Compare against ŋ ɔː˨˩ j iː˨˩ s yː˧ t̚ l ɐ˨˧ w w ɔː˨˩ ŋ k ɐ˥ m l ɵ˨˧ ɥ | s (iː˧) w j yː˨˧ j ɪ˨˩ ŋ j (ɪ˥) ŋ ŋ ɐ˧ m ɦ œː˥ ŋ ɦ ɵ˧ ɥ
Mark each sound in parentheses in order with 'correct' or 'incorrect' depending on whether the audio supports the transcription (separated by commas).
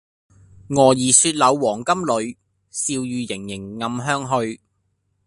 correct, incorrect